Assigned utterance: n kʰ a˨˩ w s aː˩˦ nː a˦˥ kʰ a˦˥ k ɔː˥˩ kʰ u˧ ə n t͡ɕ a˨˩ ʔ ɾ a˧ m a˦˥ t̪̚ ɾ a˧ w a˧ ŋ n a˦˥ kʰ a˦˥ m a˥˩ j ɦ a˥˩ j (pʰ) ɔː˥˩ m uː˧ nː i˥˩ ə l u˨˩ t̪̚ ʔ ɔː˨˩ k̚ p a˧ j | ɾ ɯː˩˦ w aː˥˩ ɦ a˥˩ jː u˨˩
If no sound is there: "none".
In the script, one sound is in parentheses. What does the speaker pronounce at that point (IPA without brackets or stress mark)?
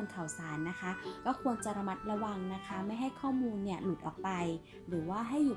kʰ